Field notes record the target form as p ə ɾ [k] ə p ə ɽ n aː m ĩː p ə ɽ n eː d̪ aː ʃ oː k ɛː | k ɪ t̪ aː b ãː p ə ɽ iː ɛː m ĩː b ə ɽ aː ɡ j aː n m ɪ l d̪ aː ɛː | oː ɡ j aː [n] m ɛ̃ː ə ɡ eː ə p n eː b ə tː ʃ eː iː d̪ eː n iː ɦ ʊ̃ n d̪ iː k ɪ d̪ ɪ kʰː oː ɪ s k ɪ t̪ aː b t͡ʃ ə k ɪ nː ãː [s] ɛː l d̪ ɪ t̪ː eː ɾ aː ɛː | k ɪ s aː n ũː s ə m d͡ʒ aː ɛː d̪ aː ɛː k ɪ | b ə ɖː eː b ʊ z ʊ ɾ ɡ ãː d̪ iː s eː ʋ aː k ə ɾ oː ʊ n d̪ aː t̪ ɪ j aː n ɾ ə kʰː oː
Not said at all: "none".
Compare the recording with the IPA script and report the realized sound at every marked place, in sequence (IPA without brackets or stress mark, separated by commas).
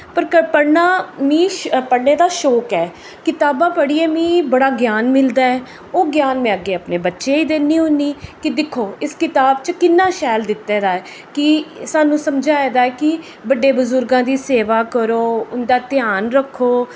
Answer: k, n, ʃ